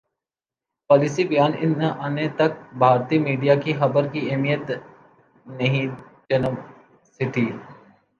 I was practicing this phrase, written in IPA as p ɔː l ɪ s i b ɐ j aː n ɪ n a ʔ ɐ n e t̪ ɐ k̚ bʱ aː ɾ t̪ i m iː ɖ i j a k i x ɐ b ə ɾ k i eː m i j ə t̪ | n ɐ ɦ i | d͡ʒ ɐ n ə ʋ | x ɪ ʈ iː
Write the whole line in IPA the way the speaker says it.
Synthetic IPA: p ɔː l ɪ s i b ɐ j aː n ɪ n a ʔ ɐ n e t̪ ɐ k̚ bʱ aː ɾ t̪ i m iː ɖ i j a k i x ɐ b ə ɾ k i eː m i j ə t̪ | n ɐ ɦ ĩ | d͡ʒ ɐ n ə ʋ | s ɪ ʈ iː